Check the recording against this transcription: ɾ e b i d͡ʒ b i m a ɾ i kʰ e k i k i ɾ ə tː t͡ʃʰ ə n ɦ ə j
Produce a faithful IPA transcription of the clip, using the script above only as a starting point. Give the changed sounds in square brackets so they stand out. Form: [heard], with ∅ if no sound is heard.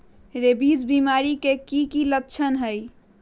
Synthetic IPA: ɾ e b i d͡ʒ b i m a ɾ i [k] e k i k i [l] ə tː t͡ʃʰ ə n ɦ ə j